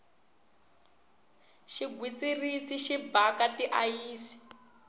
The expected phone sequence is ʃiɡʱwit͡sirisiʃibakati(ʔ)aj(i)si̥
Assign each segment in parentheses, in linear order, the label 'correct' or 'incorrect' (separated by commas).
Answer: correct, incorrect